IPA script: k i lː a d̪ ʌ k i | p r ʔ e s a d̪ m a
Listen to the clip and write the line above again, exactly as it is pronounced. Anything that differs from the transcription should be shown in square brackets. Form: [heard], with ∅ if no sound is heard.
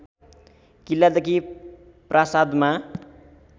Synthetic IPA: k i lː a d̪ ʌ k i | p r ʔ [a] s a d̪ m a